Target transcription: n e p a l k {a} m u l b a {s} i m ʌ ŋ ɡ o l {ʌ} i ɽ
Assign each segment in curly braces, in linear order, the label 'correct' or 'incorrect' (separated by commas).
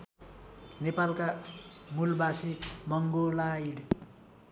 correct, correct, incorrect